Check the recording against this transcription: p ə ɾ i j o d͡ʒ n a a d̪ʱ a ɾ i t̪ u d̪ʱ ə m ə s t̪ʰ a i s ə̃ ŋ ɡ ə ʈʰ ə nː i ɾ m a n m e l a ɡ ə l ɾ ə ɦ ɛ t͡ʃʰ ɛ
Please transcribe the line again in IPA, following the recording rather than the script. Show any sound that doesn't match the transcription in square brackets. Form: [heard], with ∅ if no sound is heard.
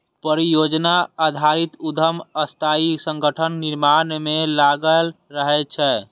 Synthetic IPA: p ə ɾ i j o d͡ʒ n a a d̪ʱ a ɾ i t̪ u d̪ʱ ə m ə s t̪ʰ a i s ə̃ ŋ ɡ ə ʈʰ ə nː i ɾ m a n m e l a ɡ ə l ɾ ə ɦ ɛ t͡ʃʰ ɛ